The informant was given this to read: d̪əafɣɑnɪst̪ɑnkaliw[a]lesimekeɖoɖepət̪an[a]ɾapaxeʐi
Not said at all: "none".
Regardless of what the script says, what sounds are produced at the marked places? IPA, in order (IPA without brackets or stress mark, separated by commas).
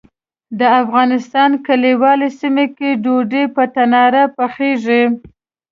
ɑ, ɑ